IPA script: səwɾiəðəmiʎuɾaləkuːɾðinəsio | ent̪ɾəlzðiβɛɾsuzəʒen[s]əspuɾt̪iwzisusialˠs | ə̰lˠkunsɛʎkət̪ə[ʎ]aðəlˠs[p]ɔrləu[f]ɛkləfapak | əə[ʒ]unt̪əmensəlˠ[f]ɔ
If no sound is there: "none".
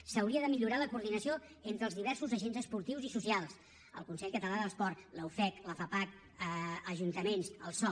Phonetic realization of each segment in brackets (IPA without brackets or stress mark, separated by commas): z, l, p, f, ʒ, s